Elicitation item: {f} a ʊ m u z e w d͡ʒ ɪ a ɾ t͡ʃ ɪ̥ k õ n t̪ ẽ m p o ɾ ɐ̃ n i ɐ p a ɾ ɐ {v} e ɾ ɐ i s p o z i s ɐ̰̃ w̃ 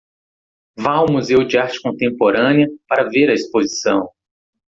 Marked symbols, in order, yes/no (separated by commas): no, yes